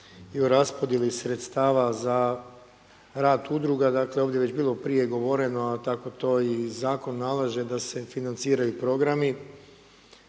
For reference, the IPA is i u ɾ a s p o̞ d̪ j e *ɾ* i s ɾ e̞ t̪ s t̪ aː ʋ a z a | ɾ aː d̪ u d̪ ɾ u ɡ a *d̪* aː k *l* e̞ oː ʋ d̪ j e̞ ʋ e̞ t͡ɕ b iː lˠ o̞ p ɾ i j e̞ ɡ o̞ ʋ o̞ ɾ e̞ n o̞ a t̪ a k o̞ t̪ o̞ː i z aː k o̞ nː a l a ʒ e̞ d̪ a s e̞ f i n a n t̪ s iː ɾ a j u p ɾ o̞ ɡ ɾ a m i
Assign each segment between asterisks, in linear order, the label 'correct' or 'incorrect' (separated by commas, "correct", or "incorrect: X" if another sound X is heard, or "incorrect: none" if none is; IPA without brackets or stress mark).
incorrect: l, correct, correct